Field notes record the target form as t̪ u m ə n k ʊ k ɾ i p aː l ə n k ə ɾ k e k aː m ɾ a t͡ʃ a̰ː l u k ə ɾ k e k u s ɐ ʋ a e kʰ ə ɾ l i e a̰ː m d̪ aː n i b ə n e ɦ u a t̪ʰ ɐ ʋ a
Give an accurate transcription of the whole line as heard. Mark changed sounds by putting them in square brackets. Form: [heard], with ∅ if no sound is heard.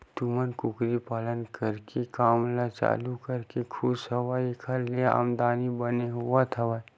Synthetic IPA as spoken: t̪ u m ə n k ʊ k ɾ i p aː l ə n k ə ɾ k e k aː m [l] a t͡ʃ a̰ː l u k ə ɾ k e [kʰ] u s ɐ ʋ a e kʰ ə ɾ l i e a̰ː m d̪ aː n i b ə n e ɦ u a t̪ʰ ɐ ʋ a